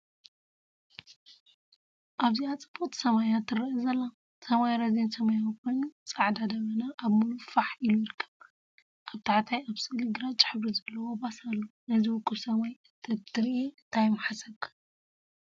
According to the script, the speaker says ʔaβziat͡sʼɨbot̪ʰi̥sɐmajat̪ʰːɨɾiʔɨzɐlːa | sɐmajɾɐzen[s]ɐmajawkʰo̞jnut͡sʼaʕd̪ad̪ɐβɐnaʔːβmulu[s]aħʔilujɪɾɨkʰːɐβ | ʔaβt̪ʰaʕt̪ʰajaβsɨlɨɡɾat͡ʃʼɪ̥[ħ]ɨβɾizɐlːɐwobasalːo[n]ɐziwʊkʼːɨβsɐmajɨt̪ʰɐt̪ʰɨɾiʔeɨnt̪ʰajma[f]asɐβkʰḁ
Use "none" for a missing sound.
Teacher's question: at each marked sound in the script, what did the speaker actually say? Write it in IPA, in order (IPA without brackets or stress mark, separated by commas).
s, f, ħ, n, ħ